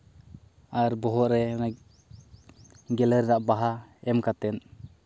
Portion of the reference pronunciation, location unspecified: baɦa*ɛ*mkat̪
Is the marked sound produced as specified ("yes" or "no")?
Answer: yes